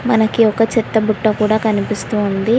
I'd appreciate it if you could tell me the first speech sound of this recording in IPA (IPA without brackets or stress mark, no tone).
m